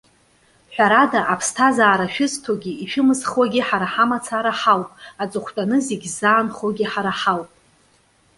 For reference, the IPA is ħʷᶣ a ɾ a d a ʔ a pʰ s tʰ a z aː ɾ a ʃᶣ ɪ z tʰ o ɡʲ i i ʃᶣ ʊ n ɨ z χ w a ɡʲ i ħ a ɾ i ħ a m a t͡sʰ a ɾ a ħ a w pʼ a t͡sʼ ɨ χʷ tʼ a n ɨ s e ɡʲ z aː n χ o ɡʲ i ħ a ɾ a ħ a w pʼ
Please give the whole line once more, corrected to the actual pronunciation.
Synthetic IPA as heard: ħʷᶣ a ɾ a d a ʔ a pʰ s tʰ a z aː ɾ a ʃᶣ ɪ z tʰ o ɡʲ i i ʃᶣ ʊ m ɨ z χ w a ɡʲ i ħ a ɾ a ħ a m a t͡sʰ a ɾ a ħ a w pʼ a t͡sʼ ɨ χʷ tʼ a n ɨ z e ɡʲ z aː n χ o ɡʲ i ħ a ɾ a ħ a w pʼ